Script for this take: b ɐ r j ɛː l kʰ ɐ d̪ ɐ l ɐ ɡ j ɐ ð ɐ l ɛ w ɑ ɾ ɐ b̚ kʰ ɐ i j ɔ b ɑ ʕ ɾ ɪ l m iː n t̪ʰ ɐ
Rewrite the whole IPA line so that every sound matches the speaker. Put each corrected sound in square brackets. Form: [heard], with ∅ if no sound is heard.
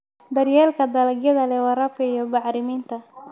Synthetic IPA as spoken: b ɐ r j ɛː l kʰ ɐ d̪ ɐ l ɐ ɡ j ɐ ð ɐ l ɛ w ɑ ɾ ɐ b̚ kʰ ɐ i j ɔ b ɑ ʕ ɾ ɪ [∅] m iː n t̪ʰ ɐ

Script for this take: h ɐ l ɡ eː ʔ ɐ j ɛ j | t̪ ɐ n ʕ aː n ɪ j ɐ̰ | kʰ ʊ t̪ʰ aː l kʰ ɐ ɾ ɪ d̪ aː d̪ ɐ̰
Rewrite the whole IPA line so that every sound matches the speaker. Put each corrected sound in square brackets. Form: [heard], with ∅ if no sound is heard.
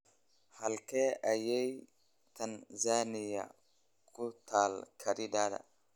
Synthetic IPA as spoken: h ɐ l [k] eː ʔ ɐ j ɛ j | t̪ ɐ n [z] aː n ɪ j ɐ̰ | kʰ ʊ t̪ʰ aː l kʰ ɐ ɾ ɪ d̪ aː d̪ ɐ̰

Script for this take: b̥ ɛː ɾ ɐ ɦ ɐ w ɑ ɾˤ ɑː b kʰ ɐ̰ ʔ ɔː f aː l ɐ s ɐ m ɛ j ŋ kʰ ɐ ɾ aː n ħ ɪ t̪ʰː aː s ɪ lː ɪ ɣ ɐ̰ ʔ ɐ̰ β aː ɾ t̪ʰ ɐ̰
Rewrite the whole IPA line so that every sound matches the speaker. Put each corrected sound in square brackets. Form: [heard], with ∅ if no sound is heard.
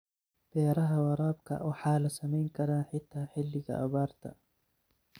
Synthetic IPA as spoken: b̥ ɛː ɾ ɐ ɦ ɐ w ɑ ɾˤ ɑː b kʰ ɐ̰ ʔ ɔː [ħ] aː l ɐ s ɐ m ɛ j ŋ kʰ ɐ ɾ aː n ħ ɪ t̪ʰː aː [ħ] ɪ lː ɪ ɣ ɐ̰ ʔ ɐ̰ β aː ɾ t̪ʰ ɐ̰

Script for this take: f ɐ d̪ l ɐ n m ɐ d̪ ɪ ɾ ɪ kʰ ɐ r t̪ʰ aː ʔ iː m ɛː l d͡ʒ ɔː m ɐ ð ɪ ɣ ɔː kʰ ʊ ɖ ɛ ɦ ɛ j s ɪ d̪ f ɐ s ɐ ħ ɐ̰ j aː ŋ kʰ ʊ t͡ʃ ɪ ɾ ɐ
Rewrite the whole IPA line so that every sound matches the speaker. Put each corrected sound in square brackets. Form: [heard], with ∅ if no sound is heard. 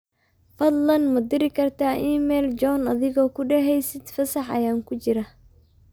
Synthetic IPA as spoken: f ɐ d̪ l ɐ n m ɐ d̪ ɪ ɾ ɪ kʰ ɐ r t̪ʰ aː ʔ iː m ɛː l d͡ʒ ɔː [n] ɐ ð ɪ ɣ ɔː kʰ ʊ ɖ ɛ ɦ ɛ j s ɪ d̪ f ɐ s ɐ ħ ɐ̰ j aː ŋ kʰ ʊ t͡ʃ ɪ ɾ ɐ

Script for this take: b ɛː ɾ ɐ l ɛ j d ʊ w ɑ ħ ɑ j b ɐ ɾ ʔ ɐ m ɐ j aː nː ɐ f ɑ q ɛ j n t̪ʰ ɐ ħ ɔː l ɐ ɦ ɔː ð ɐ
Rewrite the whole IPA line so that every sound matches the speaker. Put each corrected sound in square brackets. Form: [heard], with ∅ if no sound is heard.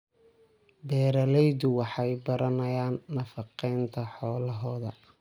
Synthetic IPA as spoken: b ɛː ɾ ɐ l ɛ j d ʊ w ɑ ħ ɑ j b ɐ ɾ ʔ ɐ [n] ɐ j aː nː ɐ f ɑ q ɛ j n t̪ʰ ɐ ħ ɔː l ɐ ɦ ɔː ð ɐ

